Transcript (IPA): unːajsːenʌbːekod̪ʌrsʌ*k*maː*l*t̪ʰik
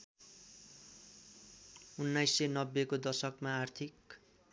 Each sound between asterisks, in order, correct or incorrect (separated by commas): correct, incorrect